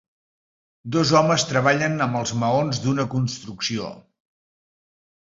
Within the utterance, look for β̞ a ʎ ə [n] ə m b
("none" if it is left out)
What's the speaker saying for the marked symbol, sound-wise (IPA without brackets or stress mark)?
n